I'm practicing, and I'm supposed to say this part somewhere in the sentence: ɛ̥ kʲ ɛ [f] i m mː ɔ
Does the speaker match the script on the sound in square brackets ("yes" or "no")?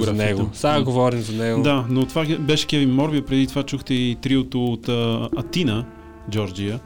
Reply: no